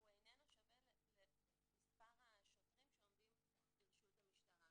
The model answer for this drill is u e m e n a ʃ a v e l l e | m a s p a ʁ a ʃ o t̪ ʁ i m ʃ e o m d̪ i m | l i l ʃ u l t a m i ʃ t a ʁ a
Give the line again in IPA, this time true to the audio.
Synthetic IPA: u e n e n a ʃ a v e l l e | m i s p a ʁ a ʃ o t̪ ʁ i m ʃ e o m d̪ i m | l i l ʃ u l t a m i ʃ t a ʁ a

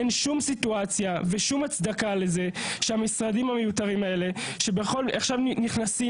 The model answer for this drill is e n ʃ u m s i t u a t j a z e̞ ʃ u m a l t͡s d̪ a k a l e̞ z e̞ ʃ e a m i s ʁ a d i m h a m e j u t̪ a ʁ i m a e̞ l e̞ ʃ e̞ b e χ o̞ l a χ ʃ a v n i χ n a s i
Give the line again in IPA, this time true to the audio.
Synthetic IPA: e n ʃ u m s i t u a t͡s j a v e̞ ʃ u m a t͡s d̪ a k a l e̞ z e̞ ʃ e a m i s ʁ a d i m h a m e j u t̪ a ʁ i m a e̞ l e̞ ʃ e̞ b e χ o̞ l a χ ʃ a v n i χ n a s i

